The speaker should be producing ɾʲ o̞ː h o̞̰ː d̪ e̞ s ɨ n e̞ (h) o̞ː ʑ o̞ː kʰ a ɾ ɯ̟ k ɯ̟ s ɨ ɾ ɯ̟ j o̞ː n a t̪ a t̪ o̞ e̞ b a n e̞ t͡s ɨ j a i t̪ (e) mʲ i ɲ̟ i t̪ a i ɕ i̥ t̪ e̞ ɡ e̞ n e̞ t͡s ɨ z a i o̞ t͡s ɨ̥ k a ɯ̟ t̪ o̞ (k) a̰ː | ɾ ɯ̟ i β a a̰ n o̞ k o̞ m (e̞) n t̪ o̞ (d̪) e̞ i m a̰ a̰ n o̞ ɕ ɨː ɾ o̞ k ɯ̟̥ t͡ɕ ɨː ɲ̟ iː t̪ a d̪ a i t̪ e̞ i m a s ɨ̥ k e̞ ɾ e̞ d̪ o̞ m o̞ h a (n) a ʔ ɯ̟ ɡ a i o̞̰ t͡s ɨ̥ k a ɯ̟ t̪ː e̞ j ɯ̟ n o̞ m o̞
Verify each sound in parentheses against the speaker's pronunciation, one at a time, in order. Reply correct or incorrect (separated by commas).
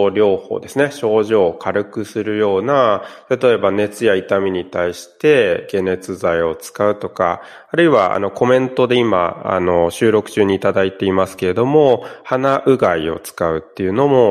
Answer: incorrect, incorrect, correct, incorrect, correct, correct